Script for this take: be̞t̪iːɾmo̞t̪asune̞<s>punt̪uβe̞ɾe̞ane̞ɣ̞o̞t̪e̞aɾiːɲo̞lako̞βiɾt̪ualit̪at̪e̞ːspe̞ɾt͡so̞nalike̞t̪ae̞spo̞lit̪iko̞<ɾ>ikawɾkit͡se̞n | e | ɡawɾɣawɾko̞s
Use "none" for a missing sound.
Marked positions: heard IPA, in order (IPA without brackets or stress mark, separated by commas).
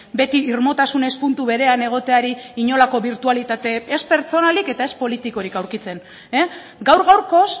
s, ɾ